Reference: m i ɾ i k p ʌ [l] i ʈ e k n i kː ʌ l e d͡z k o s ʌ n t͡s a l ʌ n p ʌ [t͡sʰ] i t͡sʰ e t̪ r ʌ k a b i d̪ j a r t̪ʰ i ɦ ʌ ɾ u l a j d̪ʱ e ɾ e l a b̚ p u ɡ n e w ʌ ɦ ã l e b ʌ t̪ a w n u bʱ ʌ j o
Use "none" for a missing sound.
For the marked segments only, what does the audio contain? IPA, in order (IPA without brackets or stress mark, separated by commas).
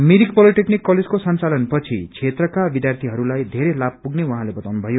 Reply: l, t͡sʰ